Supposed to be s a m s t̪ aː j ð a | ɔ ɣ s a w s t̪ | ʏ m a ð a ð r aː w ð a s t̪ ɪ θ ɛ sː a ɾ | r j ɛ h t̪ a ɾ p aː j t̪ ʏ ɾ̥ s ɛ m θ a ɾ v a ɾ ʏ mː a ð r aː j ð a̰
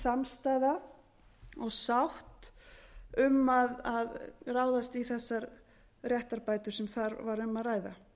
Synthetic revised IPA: s a m s t̪ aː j ð a | ɔ ɣ s a w h t̪ | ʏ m a ð a ð r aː w ð a s t̪ i θ ɛ sː a ɾ | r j ɛ h t̪ a ɾ p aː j t̪ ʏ ɾ̥ s ɛ m θ a ɾ v a ɾ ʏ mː a ð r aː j ð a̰